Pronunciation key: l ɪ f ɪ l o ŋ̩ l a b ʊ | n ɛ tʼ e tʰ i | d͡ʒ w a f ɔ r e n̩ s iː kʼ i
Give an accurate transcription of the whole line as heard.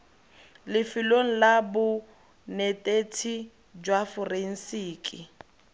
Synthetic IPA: l ɪ f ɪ l o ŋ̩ l a b ʊ | n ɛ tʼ e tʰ i | d͡ʒ w a f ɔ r e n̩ s iː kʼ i